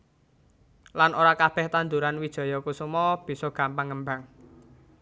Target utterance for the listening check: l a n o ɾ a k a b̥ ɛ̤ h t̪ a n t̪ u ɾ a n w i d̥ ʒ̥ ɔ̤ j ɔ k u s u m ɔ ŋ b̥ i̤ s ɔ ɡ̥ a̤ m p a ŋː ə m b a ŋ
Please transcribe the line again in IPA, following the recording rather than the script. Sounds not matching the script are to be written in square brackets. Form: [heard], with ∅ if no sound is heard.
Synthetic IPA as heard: l a n o ɾ a k a b̥ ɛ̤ h t̪ a n [d̪] u ɾ a n w i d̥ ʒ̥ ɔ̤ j ɔ k u s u m ɔ [∅] b̥ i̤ s ɔ ɡ̥ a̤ m p a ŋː ə m b a ŋ

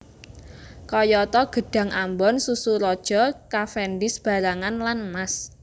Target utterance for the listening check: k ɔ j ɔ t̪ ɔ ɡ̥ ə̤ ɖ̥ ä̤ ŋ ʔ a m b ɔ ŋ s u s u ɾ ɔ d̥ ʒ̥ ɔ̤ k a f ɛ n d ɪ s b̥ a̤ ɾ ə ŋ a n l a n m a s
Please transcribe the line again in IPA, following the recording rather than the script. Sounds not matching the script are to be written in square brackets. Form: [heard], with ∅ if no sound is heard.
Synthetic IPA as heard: k ɔ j ɔ t̪ ɔ ɡ̥ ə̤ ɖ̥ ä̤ ŋ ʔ a m b ɔ [n] s u s u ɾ ɔ d̥ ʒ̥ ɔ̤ k a f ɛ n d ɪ s b̥ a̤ ɾ [a] ŋ a n l a n m a s

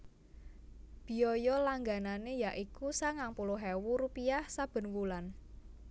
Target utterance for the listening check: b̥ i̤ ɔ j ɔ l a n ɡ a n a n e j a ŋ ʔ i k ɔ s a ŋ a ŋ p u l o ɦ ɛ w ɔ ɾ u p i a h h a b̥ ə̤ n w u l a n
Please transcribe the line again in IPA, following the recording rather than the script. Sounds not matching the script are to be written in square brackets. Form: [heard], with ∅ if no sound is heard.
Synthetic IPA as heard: b̥ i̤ ɔ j ɔ l a [ŋ] ɡ a n a n e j a [∅] ʔ i k [u] s a ŋ a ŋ p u l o ɦ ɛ w [u] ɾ u p i a h [s] a b̥ ə̤ n w u l a n

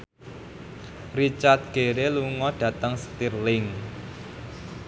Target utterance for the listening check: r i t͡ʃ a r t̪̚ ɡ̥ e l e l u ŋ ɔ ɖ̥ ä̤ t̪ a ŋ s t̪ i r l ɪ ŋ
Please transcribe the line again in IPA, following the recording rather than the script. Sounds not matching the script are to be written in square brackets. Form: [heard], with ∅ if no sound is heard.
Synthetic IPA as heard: r i t͡ʃ a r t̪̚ ɡ̥ e [ɾ] e l u ŋ ɔ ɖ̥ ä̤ t̪ [ə] ŋ s t̪ i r l ɪ ŋ

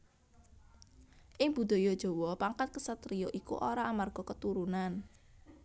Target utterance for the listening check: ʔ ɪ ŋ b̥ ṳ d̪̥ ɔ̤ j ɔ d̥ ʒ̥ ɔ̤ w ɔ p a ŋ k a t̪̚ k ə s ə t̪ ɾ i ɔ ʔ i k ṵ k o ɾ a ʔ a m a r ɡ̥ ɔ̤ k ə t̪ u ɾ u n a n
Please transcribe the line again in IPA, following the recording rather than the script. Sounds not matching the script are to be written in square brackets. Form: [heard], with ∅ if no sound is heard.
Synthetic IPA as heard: ʔ ɪ ŋ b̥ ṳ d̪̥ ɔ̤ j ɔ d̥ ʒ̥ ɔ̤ w ɔ p a ŋ k a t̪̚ k ə s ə t̪ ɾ i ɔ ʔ i k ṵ [ʔ] o ɾ a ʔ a m a r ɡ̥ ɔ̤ k ə t̪ u ɾ u n a n

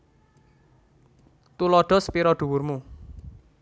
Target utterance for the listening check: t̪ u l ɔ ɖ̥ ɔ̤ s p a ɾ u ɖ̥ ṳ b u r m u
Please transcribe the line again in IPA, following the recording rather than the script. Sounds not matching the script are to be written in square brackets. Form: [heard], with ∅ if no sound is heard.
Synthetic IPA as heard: t̪ u l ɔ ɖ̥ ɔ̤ s p [i] ɾ [ɔ] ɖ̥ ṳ [w] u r m u

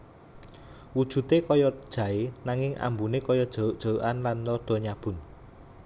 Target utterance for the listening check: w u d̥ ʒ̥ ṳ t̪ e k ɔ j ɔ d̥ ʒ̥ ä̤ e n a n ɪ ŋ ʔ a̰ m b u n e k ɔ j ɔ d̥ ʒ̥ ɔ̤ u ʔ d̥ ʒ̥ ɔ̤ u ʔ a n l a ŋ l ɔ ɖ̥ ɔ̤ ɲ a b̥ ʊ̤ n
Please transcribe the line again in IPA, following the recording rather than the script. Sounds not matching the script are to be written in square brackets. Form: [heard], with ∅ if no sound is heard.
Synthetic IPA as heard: w u d̥ ʒ̥ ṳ t̪ e k ɔ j ɔ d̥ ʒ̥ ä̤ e n a [ŋ] ɪ ŋ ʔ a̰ m b u n e k ɔ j ɔ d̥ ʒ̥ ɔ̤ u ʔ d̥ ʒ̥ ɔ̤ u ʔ a n l a [n] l ɔ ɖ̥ ɔ̤ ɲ a b̥ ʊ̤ n

